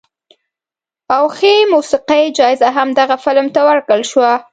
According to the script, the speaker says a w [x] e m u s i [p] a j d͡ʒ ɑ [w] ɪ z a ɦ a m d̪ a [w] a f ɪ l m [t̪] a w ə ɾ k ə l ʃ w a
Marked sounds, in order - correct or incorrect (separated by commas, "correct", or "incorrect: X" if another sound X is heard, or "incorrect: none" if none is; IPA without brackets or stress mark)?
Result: correct, incorrect: q, incorrect: none, incorrect: ɣ, correct